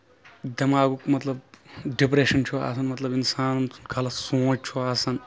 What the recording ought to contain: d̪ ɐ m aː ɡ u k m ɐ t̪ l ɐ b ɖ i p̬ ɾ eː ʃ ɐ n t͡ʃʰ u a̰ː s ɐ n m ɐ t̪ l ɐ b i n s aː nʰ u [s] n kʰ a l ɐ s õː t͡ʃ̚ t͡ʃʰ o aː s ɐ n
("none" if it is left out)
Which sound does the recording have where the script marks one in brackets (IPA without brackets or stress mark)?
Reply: none